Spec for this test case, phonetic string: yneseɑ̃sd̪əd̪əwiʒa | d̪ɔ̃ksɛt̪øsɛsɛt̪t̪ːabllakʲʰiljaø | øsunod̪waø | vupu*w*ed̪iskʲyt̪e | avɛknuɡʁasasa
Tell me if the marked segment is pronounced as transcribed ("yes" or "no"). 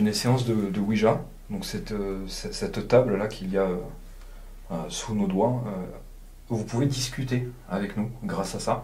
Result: no